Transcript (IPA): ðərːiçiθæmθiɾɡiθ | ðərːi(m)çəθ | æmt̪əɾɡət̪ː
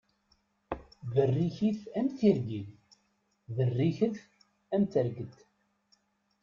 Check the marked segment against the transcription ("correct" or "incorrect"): incorrect